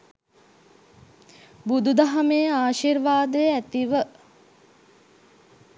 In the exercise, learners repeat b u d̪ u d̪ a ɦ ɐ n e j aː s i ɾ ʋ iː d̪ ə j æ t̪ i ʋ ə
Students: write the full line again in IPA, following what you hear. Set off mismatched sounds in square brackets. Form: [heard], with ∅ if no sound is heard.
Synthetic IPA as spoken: b u d̪ u d̪ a ɦ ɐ [m] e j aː [ʃ] i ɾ ʋ [aː] d̪ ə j æ t̪ i ʋ ə